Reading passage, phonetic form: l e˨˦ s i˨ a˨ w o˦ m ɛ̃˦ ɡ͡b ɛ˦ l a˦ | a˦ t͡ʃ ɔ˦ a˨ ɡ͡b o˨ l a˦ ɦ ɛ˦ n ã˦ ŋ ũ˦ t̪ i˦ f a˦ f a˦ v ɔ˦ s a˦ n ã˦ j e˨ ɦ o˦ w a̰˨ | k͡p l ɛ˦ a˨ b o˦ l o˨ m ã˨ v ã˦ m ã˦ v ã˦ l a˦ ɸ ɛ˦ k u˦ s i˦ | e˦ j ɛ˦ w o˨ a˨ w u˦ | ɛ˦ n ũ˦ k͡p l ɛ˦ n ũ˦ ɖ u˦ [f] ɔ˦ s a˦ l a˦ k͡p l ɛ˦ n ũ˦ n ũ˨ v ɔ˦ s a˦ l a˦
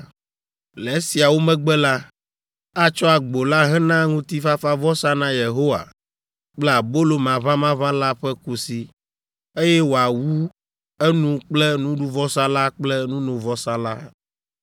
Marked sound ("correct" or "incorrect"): incorrect